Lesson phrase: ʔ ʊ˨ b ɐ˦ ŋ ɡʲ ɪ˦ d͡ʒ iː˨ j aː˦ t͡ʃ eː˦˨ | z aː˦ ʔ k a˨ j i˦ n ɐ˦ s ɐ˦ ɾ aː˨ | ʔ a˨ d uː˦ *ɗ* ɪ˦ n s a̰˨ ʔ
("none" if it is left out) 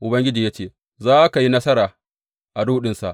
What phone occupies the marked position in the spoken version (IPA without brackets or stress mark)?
ɗ